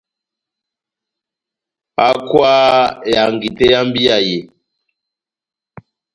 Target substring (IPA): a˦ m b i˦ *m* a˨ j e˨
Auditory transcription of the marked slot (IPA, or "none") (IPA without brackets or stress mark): none